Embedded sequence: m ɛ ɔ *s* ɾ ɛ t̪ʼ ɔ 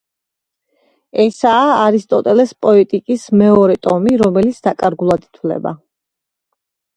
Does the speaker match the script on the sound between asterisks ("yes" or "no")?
no